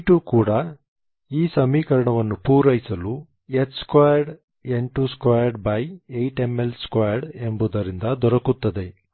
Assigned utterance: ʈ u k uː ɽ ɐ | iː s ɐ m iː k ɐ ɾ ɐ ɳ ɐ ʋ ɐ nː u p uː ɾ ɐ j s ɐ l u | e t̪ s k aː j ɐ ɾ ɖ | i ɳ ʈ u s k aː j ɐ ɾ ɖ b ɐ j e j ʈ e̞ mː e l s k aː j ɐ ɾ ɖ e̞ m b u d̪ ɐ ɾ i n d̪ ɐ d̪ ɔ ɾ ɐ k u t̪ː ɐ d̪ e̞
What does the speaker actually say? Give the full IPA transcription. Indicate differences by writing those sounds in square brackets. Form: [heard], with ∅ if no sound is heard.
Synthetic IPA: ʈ u k uː ɽ ɐ | iː s ɐ m iː k ɐ ɾ ɐ ɳ ɐ ʋ ɐ nː u p uː ɾ ɐ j s ɐ l u | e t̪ s k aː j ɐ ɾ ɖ | [e] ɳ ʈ u s k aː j ɐ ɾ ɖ b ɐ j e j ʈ e̞ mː e l s k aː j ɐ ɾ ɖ e̞ m b u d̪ ɐ ɾ i n d̪ ɐ d̪ ɔ ɾ ɐ k u t̪ː ɐ d̪ e̞